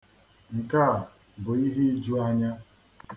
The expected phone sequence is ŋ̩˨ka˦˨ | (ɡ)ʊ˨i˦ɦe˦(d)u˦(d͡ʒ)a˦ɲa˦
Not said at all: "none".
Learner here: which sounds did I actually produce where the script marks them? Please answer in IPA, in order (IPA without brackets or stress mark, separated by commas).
b, d͡ʒ, none